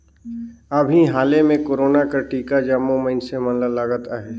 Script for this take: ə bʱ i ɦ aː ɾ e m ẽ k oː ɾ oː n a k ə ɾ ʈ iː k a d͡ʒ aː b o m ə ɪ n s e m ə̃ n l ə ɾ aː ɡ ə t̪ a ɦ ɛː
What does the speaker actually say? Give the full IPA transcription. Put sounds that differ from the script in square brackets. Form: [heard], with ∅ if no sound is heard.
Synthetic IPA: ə bʱ i ɦ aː [l] e m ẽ k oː ɾ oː n a k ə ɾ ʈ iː k a d͡ʒ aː [m] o m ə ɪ n s e m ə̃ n l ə [l] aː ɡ ə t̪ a ɦ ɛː